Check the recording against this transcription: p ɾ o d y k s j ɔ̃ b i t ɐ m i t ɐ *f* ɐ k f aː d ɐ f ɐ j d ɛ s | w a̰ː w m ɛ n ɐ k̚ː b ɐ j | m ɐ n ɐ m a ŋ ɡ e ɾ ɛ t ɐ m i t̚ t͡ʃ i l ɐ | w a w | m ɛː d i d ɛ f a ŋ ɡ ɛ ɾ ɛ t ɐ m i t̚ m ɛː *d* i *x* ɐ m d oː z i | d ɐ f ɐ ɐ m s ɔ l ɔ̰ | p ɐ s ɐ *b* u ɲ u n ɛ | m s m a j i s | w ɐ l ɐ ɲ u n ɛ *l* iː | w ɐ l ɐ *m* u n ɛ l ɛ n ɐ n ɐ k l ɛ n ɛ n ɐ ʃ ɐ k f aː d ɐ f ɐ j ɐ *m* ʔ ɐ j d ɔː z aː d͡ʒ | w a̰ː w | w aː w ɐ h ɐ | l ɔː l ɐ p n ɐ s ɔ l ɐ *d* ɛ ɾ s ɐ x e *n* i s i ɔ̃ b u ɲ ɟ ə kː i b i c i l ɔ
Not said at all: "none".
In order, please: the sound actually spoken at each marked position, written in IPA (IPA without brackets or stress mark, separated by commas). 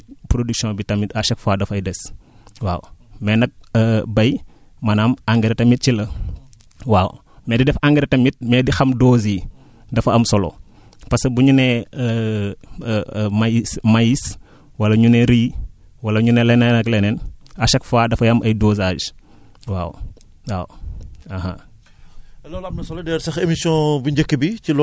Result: ʃ, d, x, b, ɾ, ɲ, m, d, m